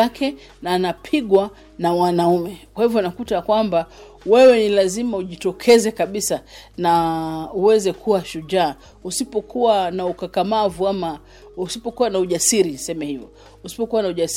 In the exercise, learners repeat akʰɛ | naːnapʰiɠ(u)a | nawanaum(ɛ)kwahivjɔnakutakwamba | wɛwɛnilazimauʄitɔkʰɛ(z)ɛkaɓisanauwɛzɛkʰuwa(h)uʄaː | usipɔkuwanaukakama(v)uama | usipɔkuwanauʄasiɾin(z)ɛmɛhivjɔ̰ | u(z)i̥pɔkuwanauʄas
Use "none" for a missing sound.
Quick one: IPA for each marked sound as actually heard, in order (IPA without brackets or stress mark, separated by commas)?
w, ɛ, z, ʃ, v, s, s